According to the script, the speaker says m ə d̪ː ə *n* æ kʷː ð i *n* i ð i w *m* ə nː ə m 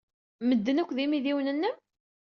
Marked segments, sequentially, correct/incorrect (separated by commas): correct, incorrect, incorrect